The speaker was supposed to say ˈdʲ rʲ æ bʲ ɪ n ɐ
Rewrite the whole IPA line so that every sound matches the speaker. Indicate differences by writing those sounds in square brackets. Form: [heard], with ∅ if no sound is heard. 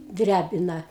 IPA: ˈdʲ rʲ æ bʲ ɪ n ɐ